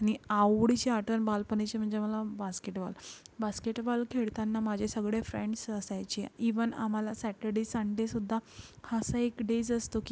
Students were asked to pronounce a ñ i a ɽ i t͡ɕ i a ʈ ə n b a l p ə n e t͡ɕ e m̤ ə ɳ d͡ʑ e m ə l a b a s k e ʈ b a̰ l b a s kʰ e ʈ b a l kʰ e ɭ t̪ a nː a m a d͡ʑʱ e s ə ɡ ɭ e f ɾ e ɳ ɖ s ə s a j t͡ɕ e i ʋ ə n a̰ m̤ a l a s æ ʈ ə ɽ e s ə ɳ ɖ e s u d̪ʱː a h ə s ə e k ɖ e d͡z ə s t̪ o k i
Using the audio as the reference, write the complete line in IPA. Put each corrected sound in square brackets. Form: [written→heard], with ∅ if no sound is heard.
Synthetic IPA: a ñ i a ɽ i t͡ɕ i a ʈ ə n b a l p ə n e t͡ɕ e m̤ ə ɳ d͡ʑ e m ə l a b a s k e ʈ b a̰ l b a s [kʰ→k] e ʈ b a l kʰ e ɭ t̪ a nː a m a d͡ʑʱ e s ə ɡ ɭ e f ɾ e ɳ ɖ s ə s a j t͡ɕ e i ʋ ə n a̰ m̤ a l a s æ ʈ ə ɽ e s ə ɳ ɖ e s u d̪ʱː a h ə s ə e k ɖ e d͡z ə s t̪ o k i